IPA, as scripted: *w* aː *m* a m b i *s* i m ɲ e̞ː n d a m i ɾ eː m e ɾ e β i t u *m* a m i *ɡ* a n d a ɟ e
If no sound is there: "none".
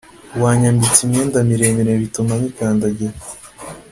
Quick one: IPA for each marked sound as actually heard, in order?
w, ɲ, t͡s, m, k

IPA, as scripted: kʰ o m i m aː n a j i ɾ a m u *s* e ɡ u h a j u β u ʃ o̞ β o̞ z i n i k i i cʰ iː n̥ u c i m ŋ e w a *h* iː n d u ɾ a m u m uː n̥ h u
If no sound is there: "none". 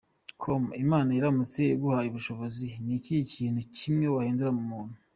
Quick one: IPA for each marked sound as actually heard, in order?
t͡s, h

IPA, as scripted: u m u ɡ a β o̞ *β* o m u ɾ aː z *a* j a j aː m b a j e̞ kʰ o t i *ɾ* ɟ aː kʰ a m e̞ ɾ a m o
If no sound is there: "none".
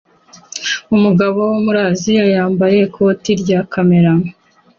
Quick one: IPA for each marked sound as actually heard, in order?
w, i, ɾ

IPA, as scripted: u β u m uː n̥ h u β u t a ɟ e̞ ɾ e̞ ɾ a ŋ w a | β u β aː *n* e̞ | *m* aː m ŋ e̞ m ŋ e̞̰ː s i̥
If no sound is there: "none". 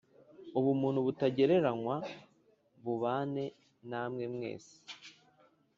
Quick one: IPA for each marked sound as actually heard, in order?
n, n

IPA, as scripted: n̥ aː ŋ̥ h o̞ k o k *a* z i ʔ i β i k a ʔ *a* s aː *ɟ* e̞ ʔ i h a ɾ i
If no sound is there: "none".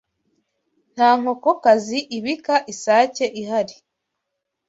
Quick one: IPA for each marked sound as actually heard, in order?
a, i, c

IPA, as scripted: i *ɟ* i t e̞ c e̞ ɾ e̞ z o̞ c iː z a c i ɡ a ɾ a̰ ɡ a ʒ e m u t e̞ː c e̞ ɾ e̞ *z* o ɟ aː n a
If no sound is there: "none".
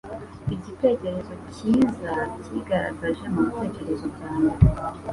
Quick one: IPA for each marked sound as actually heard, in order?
ɟ, z

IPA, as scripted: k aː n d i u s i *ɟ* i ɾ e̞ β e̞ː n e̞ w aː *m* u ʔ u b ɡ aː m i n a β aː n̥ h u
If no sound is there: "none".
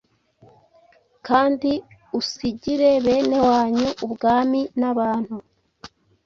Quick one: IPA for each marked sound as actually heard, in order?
ɟ, ɲ

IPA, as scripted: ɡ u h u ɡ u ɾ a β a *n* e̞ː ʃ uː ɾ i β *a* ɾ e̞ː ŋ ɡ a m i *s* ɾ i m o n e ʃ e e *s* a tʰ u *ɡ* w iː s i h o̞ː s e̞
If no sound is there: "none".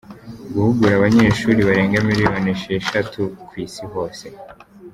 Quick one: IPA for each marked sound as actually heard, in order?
ɲ, a, none, ʃ, k

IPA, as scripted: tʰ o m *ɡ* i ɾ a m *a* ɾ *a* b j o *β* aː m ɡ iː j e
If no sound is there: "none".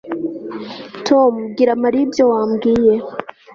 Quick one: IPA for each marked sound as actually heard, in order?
ɡ, a, i, w

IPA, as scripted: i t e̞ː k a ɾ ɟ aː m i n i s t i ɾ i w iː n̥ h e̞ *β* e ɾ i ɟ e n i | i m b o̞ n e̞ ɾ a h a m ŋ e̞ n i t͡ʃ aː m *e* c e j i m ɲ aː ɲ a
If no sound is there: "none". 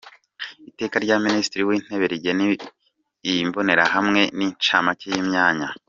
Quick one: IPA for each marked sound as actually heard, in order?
β, a

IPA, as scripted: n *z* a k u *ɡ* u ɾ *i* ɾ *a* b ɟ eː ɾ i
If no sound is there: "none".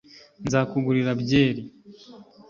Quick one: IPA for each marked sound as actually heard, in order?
z, ɡ, i, a

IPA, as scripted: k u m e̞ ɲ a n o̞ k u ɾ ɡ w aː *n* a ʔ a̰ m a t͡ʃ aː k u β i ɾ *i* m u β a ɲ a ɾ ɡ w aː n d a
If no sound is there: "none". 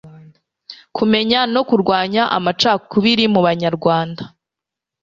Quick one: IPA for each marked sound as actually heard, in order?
ɲ, i

